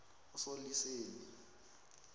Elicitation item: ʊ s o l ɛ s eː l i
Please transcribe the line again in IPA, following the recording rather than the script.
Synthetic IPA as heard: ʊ s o l i s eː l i